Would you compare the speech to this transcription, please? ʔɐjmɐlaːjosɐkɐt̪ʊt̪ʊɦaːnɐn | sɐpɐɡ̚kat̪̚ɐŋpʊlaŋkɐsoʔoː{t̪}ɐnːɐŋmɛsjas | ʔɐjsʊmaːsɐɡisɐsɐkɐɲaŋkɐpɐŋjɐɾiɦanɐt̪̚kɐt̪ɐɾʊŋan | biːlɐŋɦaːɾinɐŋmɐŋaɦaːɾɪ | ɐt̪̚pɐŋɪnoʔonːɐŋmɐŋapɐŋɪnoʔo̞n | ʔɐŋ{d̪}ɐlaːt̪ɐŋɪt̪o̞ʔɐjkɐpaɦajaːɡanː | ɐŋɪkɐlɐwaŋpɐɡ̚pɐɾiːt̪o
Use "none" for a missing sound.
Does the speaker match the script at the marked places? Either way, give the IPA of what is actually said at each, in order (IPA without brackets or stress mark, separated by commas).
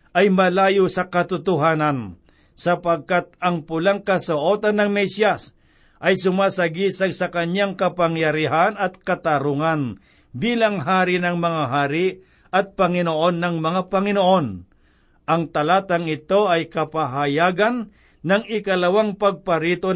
t̪, t̪